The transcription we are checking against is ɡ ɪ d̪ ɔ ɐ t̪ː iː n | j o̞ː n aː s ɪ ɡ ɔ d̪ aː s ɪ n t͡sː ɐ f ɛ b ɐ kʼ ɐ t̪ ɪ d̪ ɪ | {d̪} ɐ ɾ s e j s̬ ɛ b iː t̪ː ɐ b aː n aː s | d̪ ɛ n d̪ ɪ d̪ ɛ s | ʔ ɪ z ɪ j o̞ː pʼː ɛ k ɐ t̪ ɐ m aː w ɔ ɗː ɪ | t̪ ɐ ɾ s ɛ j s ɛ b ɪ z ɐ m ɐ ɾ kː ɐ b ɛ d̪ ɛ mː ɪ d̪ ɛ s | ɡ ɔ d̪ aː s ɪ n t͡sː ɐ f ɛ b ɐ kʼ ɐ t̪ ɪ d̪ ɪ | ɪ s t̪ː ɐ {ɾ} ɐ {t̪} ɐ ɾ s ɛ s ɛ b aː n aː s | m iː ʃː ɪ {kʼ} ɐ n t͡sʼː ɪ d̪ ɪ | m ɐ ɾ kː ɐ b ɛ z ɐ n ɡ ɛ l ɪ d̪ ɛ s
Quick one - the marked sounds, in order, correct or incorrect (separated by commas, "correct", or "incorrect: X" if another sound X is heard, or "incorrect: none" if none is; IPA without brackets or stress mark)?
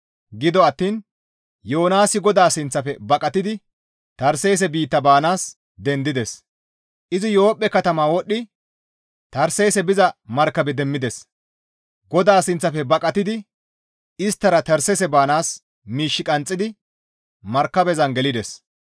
incorrect: t̪, correct, correct, correct